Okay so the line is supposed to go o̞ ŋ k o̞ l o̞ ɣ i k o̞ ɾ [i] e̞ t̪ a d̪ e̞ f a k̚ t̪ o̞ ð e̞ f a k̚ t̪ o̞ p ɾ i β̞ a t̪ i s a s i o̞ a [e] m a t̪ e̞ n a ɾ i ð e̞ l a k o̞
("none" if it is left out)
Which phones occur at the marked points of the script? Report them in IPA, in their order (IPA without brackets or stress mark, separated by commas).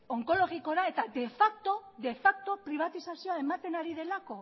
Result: a, e